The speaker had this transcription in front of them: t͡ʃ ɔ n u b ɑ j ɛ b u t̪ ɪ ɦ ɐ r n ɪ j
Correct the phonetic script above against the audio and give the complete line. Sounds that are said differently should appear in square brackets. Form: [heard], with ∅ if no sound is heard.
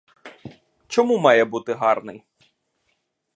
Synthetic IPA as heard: t͡ʃ ɔ [m] u [m] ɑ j ɛ b u t̪ ɪ ɦ [ɑ] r n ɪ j